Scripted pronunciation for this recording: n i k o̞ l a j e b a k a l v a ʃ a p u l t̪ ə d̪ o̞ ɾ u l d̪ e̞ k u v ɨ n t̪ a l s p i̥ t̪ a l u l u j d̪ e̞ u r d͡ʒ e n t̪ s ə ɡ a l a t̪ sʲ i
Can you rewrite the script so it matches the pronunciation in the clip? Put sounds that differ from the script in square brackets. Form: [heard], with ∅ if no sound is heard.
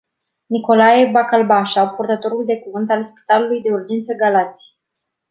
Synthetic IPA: n i k o̞ l a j e b a k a l [b] a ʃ a p u [r] t̪ ə [t̪] o̞ ɾ u l d̪ e̞ k u v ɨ n t̪ a l s p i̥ t̪ a l u l u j d̪ e̞ u r d͡ʒ e n t̪ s ə ɡ a l a t̪ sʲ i